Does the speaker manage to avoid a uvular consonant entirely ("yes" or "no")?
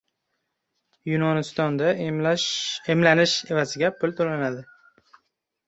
yes